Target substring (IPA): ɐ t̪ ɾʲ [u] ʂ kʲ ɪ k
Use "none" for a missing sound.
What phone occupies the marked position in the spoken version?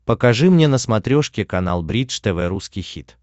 o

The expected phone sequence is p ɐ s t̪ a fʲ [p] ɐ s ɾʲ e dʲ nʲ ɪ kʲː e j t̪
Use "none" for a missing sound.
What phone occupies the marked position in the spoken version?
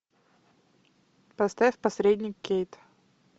p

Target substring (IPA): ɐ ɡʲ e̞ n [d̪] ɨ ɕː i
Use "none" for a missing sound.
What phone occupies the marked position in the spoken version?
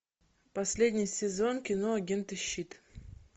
t̪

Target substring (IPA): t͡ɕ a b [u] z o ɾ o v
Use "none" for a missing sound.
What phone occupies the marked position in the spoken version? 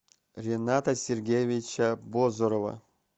o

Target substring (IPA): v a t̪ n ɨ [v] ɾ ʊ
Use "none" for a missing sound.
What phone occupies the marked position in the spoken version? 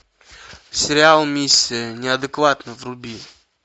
v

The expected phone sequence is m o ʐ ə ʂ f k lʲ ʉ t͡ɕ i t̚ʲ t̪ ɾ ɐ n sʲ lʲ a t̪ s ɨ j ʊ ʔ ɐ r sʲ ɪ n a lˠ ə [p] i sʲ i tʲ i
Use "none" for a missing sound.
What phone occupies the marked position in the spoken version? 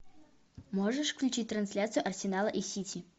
ʔ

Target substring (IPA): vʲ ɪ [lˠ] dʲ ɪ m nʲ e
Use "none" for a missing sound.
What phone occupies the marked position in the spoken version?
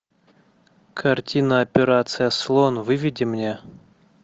none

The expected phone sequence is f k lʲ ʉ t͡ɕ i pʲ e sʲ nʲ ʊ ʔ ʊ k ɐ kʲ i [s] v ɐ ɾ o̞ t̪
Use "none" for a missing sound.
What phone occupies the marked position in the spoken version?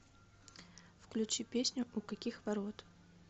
x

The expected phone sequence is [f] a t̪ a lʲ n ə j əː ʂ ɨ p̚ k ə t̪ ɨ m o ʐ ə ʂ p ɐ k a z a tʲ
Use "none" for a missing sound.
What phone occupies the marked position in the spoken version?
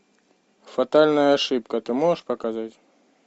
f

